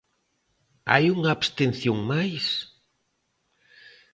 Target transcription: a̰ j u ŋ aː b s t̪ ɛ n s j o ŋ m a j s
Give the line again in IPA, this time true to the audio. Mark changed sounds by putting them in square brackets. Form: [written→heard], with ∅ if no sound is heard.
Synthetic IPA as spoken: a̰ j u ŋ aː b s t̪ [ɛ→e] n [s→θ] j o ŋ m a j s